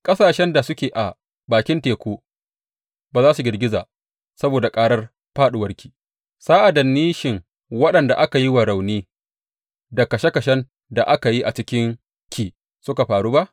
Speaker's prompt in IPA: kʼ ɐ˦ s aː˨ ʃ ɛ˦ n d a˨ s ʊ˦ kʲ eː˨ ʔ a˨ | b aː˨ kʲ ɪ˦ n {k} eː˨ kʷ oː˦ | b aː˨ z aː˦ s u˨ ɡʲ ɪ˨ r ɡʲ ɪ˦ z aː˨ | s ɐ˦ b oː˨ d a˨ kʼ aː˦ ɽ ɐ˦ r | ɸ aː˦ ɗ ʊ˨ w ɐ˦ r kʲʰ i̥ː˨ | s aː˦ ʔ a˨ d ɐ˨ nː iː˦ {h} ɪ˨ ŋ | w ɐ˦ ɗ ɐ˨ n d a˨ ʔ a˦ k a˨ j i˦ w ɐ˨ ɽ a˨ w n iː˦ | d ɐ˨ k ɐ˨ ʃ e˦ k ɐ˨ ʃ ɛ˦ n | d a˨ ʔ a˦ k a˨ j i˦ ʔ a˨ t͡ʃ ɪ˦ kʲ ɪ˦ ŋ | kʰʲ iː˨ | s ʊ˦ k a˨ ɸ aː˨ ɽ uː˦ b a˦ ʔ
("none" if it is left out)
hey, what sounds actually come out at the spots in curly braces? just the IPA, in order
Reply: t, ʃ

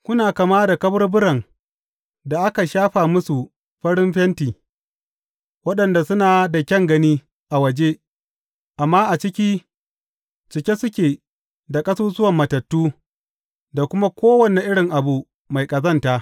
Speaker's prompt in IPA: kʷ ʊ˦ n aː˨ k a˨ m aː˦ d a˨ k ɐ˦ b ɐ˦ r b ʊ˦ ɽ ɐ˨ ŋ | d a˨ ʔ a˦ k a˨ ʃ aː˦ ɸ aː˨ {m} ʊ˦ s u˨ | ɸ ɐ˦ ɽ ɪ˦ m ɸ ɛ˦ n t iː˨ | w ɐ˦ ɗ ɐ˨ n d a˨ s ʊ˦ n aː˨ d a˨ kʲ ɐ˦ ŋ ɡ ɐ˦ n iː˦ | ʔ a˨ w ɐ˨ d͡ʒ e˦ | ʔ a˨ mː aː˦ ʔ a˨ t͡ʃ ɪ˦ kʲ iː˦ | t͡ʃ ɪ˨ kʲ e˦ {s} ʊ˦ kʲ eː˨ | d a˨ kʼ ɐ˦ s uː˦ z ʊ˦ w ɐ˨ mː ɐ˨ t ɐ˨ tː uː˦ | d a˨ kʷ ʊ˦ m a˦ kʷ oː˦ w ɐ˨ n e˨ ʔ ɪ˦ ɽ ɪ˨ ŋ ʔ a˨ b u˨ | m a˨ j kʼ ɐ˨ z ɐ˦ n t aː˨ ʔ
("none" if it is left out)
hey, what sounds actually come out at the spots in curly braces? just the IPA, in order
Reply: m, s

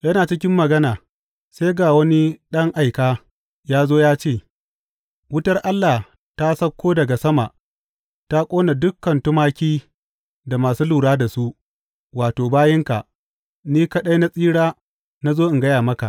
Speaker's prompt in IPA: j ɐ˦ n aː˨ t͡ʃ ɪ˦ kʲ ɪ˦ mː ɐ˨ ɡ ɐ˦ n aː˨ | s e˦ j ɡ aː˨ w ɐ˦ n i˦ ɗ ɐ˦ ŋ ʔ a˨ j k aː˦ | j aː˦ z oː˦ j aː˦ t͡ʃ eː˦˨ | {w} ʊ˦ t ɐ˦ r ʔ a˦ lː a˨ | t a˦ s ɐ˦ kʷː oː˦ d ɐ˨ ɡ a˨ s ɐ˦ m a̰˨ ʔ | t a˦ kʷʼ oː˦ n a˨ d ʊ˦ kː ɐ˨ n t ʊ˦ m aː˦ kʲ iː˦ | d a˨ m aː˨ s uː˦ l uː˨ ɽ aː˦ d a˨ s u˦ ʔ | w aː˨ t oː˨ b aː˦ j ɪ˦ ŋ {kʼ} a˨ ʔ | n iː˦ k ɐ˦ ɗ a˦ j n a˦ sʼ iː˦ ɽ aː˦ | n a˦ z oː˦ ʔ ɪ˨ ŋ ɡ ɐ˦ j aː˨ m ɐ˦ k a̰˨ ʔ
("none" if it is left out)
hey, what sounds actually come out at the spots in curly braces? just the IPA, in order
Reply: w, k

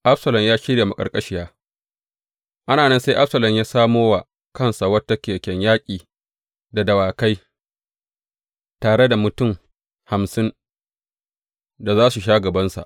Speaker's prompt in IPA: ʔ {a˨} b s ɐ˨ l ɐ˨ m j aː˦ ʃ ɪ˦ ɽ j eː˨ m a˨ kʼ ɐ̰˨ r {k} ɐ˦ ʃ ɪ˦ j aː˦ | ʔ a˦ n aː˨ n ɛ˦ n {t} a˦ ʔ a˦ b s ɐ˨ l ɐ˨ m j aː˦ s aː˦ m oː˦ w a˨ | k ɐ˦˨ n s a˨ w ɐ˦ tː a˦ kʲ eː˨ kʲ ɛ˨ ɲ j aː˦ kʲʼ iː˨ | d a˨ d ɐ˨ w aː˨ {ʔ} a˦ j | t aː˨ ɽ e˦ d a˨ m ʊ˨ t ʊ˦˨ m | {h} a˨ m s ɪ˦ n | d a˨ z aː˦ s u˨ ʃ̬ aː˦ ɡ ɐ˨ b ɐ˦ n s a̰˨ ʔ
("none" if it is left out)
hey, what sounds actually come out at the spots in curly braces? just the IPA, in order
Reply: a˦, kʼ, s, k, h

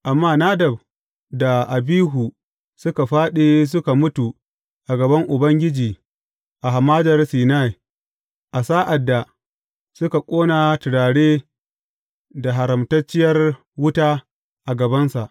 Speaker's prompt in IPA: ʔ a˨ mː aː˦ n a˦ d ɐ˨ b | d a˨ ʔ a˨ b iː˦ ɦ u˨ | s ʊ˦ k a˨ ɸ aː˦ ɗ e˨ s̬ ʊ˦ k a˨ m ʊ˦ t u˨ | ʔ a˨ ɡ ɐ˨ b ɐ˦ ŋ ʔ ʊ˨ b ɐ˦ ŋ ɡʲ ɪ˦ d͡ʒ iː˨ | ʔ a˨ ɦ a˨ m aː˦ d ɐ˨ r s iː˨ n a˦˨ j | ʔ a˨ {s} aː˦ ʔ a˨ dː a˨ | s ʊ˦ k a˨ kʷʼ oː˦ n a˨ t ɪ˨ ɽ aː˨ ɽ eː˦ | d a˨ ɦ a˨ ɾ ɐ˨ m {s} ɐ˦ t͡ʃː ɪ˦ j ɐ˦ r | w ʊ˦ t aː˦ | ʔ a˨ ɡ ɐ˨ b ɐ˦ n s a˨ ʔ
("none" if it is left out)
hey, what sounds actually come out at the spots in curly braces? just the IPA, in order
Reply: s, t

